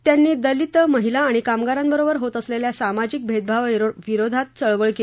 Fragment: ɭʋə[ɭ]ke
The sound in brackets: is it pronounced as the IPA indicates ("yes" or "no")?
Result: yes